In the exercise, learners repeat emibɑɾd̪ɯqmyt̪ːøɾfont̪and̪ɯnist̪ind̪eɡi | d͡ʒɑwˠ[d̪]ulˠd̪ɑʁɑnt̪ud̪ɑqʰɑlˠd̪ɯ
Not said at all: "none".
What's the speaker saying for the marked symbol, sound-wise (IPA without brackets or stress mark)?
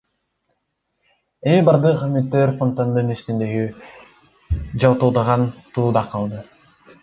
t̪